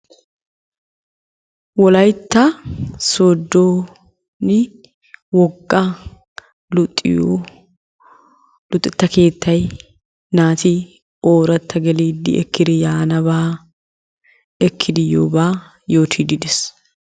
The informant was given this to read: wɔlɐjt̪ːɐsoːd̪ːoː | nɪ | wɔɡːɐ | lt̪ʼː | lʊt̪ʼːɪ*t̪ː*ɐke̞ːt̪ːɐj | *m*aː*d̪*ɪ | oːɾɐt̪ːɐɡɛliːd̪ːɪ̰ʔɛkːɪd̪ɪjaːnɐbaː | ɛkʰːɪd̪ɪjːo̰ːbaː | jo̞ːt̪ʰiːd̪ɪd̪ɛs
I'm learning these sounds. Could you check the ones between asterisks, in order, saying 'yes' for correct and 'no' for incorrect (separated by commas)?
yes, no, no